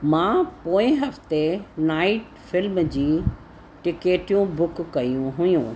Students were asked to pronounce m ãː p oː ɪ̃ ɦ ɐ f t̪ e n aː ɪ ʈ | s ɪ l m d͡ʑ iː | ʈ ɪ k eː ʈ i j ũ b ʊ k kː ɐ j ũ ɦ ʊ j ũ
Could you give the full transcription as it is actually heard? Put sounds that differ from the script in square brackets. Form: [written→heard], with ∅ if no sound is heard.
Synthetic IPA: m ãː p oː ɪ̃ ɦ ɐ f t̪ e n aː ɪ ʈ | [s→f] ɪ l m d͡ʑ iː | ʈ ɪ k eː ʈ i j ũ b ʊ k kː ɐ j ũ ɦ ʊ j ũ